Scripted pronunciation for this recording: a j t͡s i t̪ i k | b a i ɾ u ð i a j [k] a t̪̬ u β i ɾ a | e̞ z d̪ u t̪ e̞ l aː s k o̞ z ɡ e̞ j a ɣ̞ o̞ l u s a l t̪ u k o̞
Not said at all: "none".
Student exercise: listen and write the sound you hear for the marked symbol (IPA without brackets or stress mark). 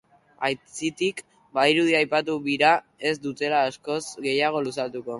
p